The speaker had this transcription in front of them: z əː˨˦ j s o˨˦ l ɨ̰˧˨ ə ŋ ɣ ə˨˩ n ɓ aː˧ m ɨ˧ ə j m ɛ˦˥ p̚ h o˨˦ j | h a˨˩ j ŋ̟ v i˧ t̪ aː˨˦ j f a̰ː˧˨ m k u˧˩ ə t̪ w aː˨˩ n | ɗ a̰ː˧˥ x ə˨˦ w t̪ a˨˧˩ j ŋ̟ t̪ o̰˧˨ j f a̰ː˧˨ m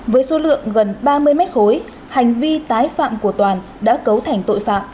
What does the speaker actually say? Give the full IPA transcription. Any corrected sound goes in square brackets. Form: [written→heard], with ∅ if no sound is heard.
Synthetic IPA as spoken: [z→v] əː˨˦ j s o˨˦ l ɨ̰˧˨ ə ŋ ɣ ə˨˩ n ɓ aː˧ m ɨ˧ ə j m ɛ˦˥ [p̚→t̚] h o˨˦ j | h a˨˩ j ŋ̟ v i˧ t̪ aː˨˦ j f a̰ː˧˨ m k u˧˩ ə t̪ w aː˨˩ n | ɗ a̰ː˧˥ [x→k] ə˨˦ w [t̪→t̪ʰ] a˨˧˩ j ŋ̟ t̪ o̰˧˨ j f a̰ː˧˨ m

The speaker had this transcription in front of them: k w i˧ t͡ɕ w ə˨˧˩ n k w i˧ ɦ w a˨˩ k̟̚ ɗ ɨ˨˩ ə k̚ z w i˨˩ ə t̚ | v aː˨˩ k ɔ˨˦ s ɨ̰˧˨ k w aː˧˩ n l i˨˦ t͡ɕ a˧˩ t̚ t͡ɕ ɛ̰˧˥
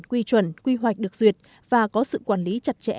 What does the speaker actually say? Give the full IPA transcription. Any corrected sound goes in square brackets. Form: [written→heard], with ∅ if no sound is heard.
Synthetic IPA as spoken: k w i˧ t͡ɕ w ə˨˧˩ n k w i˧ ɦ w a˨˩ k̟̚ ɗ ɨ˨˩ ə k̚ z w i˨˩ ə t̚ | v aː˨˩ k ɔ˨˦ s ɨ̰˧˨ k w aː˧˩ n l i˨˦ t͡ɕ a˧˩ t̚ t͡ɕ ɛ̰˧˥

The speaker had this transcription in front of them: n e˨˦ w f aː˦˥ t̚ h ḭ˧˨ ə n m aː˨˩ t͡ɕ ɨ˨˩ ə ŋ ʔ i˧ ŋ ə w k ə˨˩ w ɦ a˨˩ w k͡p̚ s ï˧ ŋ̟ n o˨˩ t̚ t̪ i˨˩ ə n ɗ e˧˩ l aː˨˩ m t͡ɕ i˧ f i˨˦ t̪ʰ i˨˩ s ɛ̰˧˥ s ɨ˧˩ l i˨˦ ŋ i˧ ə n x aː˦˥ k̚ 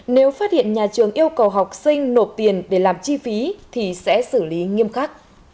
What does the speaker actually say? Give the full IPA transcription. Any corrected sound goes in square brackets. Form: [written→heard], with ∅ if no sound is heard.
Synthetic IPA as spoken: n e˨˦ w f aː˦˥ t̚ h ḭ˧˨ ə n [m→ɲ] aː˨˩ t͡ɕ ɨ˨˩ ə ŋ ʔ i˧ [ŋ→∅] ə w k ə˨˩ w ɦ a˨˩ w k͡p̚ s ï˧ ŋ̟ n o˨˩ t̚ t̪ i˨˩ ə n ɗ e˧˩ l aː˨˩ m t͡ɕ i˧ f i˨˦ t̪ʰ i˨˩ s ɛ̰˧˥ s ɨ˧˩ l i˨˦ ŋ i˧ ə [n→m] x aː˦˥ k̚

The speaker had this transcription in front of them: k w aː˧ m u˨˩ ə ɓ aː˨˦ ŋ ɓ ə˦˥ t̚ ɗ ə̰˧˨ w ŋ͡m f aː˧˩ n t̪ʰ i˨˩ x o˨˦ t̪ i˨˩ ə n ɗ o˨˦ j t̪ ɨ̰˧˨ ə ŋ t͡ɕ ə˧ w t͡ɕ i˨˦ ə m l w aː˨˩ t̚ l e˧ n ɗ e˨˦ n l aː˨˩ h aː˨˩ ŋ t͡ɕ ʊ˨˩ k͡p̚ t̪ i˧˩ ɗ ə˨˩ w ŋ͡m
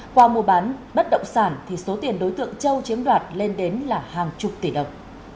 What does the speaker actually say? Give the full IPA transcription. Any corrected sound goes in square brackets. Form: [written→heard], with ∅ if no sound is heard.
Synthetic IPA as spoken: k w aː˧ m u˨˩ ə ɓ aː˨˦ [ŋ→n] ɓ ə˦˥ t̚ ɗ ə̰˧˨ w ŋ͡m [f→s] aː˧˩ n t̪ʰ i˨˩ [x→s] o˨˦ t̪ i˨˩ ə n ɗ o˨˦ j t̪ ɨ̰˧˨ ə ŋ t͡ɕ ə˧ w t͡ɕ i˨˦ ə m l w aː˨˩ t̚ l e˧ n ɗ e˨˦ n l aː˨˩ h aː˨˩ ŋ t͡ɕ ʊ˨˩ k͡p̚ t̪ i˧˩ ɗ ə˨˩ w ŋ͡m

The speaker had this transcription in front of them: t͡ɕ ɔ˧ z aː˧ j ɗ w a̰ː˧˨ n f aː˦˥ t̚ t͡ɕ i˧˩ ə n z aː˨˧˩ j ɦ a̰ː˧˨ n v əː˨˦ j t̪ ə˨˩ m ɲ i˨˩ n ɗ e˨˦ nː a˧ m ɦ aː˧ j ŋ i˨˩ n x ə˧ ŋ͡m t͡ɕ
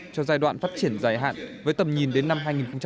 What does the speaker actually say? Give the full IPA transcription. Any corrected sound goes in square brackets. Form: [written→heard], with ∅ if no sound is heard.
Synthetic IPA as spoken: t͡ɕ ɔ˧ z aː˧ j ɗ w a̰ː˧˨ n f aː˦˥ t̚ t͡ɕ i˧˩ ə n z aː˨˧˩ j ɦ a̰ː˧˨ n v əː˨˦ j t̪ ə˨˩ m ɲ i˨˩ n ɗ e˨˦ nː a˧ m ɦ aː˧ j ŋ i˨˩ n x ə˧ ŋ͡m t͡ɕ

